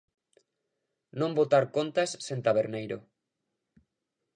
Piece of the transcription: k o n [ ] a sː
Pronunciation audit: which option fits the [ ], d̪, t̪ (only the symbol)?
t̪